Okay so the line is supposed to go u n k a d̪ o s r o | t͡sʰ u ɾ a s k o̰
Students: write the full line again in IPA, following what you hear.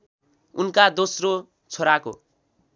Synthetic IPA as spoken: u n k a d̪ o s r o | t͡sʰ o ɾ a k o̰